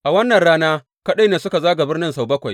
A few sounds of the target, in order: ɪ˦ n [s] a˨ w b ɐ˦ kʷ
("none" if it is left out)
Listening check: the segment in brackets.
s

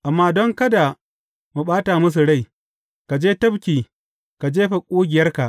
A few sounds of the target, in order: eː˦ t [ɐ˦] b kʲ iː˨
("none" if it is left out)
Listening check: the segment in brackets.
ɐ˦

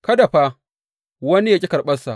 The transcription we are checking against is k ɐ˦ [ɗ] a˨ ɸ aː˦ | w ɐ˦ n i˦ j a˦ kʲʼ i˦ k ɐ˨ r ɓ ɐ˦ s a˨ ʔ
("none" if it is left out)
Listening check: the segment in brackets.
d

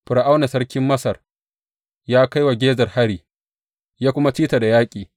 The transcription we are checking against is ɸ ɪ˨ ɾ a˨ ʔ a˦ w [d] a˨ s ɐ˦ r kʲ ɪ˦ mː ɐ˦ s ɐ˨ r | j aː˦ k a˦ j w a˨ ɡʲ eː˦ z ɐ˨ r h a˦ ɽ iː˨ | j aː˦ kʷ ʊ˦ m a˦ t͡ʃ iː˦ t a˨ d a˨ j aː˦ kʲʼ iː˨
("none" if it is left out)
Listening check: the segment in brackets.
n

